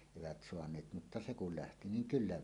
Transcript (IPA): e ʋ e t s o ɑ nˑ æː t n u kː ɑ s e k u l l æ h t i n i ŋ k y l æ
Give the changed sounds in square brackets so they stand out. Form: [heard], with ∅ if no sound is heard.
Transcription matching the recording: e ʋ [æ] t s o ɑ nˑ [eː] t [m] u [tː] ɑ s e k u l l æ h t i n i ŋ k y [lː] æ

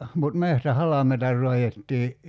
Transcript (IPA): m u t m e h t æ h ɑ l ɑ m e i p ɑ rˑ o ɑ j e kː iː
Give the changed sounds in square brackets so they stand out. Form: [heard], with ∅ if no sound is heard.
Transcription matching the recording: m u t m e h t æ h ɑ l ɑ m e i [t] ɑ rˑ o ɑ j e [tː] iː

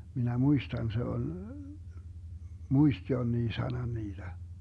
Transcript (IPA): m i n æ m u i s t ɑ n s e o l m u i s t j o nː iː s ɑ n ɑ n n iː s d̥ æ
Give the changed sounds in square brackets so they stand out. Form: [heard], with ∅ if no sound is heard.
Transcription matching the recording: m i n æ m u i s t ɑ n s e o l m u i s t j o nː iː s ɑ n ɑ n n iː [∅] d̥ æ

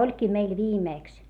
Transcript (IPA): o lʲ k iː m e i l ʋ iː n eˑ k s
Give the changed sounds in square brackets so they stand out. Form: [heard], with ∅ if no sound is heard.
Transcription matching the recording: o lʲ k iː m e i l ʋ iː [m] eˑ k s

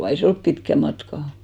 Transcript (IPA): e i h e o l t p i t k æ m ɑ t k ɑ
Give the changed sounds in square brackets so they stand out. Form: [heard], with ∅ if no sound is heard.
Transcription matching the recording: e i [s] e o l [p] p i t k æ m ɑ t k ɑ

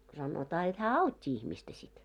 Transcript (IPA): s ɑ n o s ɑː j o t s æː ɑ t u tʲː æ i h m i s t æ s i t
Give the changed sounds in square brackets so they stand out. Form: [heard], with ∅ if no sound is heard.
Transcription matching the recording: s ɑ n o [t] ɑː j o t [h] æː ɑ [∅] u tʲː [i] i h m i s t æ s i t

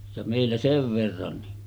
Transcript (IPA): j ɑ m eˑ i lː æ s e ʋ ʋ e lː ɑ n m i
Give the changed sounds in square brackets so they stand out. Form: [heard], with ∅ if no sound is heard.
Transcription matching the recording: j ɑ m eˑ i lː æ s e ʋ ʋ e [rː] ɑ n [n] i

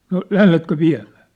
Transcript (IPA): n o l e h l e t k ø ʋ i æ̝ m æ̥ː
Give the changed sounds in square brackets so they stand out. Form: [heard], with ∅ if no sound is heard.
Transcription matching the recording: n o l [æ] h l e t k ø ʋ i æ̝ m æ̥ː

